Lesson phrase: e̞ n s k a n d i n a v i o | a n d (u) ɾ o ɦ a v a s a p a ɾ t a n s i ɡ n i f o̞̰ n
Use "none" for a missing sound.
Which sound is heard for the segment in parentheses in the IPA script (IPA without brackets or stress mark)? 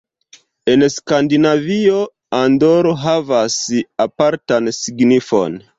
o